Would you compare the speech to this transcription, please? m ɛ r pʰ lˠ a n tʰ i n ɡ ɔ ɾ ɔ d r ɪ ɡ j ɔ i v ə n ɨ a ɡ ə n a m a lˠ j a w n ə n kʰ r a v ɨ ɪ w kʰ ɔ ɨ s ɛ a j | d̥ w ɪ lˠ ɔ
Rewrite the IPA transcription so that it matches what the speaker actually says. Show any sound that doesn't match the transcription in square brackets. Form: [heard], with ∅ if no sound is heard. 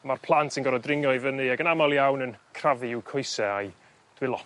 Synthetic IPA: m [a] r pʰ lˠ a n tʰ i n ɡ ɔ ɾ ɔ d r ɪ [ŋ] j ɔ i v ə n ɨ a ɡ ə n a m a lˠ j a w n ə n kʰ r a v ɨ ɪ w kʰ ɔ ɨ s ɛ a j | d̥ w ɪ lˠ ɔ

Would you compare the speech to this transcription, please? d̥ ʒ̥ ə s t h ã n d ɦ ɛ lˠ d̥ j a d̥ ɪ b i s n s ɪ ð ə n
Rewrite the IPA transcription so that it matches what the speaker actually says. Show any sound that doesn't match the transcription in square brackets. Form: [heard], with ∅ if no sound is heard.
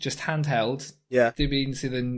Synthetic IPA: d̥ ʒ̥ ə s t h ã n d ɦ ɛ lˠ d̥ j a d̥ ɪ b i [∅] n s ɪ ð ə n

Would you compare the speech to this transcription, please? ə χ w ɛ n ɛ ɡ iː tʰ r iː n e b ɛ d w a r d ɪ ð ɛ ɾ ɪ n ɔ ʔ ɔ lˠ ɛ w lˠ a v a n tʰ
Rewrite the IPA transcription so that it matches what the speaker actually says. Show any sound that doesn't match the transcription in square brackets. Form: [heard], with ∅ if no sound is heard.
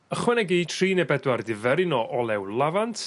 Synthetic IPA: ə χ w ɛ n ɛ ɡ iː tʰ r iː n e b ɛ d w a r d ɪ [v] ɛ ɾ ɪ n ɔ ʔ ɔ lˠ ɛ w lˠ a v a n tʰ

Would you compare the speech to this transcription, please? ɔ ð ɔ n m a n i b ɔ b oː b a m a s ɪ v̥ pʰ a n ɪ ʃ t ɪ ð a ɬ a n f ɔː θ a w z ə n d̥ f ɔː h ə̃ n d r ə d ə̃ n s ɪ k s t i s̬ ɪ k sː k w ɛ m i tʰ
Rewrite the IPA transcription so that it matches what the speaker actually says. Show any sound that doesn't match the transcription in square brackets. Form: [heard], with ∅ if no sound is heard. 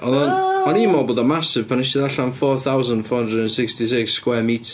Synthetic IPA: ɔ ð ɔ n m a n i [m] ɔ b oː [d] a m a s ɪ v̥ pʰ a n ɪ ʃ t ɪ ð a ɬ a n f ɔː θ a w z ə n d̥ f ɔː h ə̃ n d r ə d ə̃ n s ɪ k s t i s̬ ɪ k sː k w ɛ m i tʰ

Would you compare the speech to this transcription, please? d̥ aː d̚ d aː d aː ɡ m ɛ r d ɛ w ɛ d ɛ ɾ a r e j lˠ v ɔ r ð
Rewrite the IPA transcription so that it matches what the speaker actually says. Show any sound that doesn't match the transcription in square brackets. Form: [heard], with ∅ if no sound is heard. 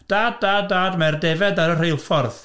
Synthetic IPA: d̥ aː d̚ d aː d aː [d] m ɛ r d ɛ [v] ɛ d [a] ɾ [ə] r e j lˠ [f] ɔ r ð

